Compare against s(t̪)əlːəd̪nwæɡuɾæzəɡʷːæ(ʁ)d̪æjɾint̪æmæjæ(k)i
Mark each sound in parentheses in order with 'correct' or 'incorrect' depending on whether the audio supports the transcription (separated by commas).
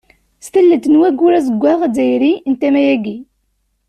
correct, correct, incorrect